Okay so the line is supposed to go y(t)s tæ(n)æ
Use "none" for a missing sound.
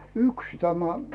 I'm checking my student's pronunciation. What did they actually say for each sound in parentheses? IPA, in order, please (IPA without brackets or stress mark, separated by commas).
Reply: k, m